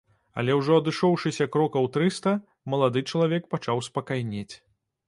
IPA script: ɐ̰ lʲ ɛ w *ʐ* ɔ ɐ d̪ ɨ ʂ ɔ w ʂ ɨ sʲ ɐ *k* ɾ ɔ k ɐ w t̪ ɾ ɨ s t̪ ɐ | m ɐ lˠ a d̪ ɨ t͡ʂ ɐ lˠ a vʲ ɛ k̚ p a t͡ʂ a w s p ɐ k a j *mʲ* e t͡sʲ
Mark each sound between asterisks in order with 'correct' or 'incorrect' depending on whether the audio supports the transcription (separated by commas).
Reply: correct, correct, incorrect